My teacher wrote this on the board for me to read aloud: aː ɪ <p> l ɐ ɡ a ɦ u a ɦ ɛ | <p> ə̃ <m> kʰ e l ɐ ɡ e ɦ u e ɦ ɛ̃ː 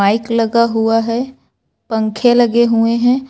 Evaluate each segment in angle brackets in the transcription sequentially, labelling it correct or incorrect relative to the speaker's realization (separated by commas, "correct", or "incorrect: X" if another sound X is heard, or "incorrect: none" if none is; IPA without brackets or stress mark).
incorrect: k, correct, incorrect: ŋ